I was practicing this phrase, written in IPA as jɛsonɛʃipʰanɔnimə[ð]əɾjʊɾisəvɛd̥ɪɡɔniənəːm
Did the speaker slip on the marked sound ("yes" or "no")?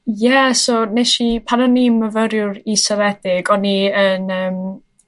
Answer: yes